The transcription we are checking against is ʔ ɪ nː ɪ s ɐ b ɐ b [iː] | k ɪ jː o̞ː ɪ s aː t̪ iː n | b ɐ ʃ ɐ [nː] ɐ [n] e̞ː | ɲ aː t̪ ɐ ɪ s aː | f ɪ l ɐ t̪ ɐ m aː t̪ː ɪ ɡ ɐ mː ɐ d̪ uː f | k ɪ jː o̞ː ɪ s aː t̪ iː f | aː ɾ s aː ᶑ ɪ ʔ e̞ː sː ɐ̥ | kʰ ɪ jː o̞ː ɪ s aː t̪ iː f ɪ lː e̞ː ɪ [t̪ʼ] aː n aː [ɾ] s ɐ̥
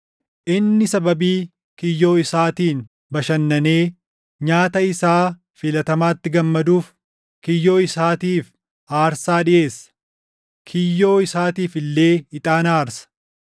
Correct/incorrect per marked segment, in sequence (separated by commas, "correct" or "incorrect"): correct, correct, correct, correct, correct